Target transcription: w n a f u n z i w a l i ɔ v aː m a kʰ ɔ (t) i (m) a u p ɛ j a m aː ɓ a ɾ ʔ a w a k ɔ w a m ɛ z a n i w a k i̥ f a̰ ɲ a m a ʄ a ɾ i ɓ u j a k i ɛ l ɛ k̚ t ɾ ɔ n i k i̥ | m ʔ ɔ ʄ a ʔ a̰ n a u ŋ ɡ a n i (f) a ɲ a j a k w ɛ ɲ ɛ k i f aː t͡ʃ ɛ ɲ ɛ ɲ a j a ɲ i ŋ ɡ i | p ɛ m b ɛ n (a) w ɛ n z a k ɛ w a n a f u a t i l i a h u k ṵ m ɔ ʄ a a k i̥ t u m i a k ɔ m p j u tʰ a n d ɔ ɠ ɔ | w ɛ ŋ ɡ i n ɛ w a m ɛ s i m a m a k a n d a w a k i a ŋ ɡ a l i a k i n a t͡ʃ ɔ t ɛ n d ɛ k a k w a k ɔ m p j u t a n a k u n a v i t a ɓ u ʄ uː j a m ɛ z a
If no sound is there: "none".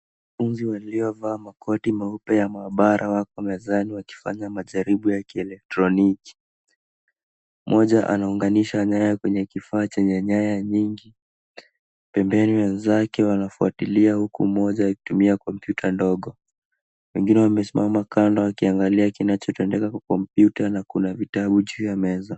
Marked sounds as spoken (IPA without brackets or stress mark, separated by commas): t, m, ʃ, i